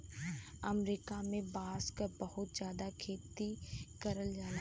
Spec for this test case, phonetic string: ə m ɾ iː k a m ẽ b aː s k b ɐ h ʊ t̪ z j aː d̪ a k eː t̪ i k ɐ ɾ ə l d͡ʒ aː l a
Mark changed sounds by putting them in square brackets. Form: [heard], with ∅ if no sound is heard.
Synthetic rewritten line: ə m ɾ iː k a m ẽ b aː s k b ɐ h ʊ t̪ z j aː d̪ a [kʰ] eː t̪ i k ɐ ɾ ə l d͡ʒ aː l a